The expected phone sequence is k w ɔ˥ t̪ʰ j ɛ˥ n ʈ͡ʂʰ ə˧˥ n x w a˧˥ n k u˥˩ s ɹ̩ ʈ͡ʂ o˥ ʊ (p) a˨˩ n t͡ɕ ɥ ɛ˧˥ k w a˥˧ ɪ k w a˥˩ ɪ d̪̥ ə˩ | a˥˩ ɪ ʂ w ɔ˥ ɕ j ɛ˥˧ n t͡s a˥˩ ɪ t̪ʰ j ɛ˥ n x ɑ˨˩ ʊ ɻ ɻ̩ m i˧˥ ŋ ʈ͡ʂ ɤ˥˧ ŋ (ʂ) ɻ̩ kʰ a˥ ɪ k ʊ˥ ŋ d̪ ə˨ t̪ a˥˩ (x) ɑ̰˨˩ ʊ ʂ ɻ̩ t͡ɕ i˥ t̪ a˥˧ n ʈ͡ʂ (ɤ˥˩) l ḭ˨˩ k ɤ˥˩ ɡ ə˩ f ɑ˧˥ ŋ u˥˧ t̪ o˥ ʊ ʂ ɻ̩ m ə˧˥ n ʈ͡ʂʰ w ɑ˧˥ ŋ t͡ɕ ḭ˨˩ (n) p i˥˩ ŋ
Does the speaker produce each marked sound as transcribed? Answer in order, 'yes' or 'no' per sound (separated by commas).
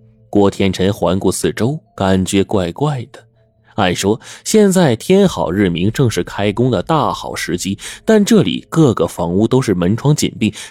no, yes, yes, yes, yes